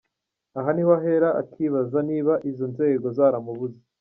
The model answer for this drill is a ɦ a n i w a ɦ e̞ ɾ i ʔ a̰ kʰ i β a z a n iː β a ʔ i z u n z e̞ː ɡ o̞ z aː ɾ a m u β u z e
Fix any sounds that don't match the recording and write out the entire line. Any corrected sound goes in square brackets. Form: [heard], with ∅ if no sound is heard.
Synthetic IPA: a ɦ a n i w a ɦ e̞ ɾ [a] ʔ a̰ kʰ i β a z a n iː β a ʔ i z [o] n z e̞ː ɡ o̞ z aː ɾ a m u β u z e